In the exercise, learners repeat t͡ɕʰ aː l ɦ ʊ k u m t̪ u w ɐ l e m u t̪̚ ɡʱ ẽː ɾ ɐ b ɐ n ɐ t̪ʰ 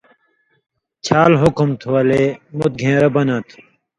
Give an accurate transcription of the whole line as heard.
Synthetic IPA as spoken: t͡ɕʰ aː l ɦ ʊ k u m t̪ʰ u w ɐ l e m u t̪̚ ɡʱ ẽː ɾ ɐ b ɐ n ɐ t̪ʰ